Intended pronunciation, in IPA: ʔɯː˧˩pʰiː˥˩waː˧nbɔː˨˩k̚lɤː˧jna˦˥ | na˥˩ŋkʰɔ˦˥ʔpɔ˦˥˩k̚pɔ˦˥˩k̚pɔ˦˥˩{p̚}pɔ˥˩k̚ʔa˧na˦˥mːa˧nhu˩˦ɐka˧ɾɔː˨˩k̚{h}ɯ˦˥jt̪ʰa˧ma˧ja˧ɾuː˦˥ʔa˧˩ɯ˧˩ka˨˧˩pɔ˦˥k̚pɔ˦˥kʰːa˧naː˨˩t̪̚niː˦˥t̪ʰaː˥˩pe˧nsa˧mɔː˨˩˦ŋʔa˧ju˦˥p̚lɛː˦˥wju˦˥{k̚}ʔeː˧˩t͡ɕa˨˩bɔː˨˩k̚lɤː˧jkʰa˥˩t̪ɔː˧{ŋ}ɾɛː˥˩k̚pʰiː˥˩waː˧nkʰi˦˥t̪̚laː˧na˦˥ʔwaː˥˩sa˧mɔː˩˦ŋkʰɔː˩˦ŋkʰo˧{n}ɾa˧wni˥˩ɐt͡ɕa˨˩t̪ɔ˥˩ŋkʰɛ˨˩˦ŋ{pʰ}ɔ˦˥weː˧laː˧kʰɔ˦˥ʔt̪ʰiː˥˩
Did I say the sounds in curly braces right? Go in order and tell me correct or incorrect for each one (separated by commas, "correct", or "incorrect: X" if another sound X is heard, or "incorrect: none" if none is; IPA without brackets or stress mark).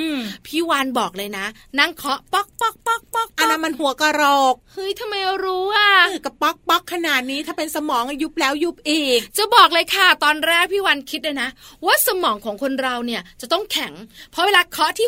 incorrect: k̚, correct, incorrect: p̚, incorrect: n, correct, correct